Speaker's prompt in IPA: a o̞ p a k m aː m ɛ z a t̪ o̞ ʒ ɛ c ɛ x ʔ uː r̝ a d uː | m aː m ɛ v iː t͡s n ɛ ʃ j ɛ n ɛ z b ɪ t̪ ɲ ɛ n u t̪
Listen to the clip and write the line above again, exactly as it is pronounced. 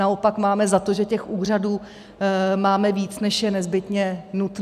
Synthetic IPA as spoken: a o̞ p a k m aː m ɛ z a t̪ o̞ ʒ ɛ c ɛ x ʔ uː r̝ a d uː | m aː m ɛ v iː t͡s n ɛ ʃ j ɛ n ɛ z b ɪ t̪ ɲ ɛ n u t̪